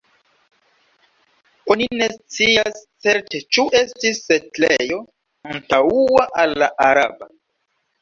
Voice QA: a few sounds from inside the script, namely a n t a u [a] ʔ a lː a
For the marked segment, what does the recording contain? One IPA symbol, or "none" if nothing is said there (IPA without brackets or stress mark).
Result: a